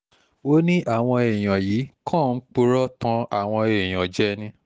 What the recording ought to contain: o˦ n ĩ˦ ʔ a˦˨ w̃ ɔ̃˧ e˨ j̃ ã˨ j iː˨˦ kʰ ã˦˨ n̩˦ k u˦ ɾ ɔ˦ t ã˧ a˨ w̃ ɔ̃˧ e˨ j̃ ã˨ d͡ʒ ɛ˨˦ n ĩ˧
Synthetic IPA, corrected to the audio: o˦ n ĩ˦ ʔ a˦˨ w̃ ɔ̃˧ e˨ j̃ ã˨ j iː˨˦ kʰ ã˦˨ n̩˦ k͡p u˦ ɾ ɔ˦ t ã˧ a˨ w̃ ɔ̃˧ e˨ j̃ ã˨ d͡ʒ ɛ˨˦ n ĩ˧